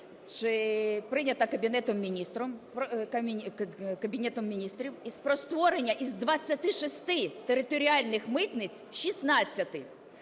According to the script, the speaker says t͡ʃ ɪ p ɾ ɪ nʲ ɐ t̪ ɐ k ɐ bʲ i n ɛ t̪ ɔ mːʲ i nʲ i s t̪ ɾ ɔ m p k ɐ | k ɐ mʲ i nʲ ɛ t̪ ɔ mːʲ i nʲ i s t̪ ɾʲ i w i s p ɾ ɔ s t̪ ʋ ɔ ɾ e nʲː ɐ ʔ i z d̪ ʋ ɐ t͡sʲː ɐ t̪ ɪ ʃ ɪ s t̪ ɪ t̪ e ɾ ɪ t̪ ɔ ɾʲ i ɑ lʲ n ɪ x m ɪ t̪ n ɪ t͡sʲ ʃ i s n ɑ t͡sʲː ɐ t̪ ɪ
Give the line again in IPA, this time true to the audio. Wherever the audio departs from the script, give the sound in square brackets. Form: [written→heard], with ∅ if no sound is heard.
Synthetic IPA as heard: t͡ʃ ɪ p ɾ ɪ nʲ ɐ t̪ ɐ k ɐ bʲ i n ɛ t̪ ɔ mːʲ i nʲ i s t̪ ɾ ɔ m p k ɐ | k ɐ [mʲ→bʲ] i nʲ ɛ t̪ ɔ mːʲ i nʲ i s t̪ ɾʲ i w i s p ɾ ɔ s t̪ ʋ ɔ ɾ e nʲː ɐ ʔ i z d̪ ʋ ɐ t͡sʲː ɐ t̪ ɪ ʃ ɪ s t̪ ɪ t̪ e ɾ ɪ t̪ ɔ ɾʲ i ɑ lʲ n ɪ x m ɪ t̪ n ɪ t͡sʲ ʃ i s n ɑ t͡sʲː ɐ t̪ ɪ

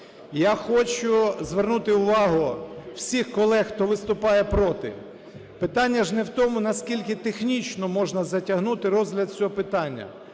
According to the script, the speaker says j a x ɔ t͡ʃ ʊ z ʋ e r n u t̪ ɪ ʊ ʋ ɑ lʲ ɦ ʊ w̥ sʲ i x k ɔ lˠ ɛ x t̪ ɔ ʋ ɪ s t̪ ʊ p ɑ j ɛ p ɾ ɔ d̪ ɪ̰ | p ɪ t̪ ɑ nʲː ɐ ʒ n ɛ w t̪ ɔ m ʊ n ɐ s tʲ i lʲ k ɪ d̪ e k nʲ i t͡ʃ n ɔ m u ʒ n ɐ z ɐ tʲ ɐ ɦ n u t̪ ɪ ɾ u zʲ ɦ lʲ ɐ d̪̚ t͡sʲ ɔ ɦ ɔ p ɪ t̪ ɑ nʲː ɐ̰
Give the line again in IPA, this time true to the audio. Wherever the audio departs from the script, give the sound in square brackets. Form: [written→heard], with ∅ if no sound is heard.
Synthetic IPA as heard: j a x ɔ t͡ʃ ʊ z ʋ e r n u t̪ ɪ ʊ ʋ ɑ [lʲ→∅] ɦ ʊ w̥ sʲ i x k ɔ lˠ ɛ x t̪ ɔ ʋ ɪ s t̪ ʊ p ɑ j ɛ p ɾ ɔ [d̪→t̪] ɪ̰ | p ɪ t̪ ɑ nʲː ɐ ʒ n ɛ w t̪ ɔ m ʊ n ɐ s [tʲ→kʲ] i lʲ k ɪ [d̪→t̪] e [k→x] nʲ i t͡ʃ n ɔ m [u→ɔ] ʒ n ɐ z ɐ tʲ ɐ ɦ n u t̪ ɪ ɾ [u→ɔ] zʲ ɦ lʲ ɐ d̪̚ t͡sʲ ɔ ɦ ɔ p ɪ t̪ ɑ nʲː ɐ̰

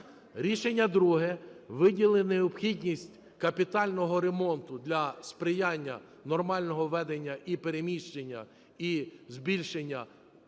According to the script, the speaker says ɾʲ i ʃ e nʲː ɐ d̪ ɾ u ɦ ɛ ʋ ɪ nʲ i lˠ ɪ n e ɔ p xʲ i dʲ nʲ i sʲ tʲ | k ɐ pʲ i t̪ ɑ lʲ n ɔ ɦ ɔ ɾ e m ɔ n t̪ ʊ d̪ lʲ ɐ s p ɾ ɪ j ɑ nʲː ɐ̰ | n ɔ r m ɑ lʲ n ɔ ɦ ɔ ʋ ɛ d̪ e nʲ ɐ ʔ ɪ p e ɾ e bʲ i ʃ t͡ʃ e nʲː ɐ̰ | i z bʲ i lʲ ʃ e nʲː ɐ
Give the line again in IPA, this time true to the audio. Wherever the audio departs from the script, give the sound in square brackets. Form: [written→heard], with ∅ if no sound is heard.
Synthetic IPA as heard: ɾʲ i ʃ e nʲː ɐ d̪ ɾ u ɦ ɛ ʋ ɪ [nʲ→dʲ] i lˠ ɪ n e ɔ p xʲ i dʲ nʲ i sʲ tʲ | k ɐ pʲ i t̪ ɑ lʲ n ɔ ɦ ɔ ɾ e m ɔ n t̪ ʊ d̪ lʲ ɐ s p ɾ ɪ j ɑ nʲː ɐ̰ | n ɔ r m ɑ lʲ n ɔ ɦ ɔ ʋ ɛ d̪ e [nʲ→nʲː] ɐ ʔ [ɪ→i] p e ɾ e [bʲ→mʲ] i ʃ t͡ʃ e nʲː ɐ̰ | i z bʲ i lʲ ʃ e nʲː ɐ

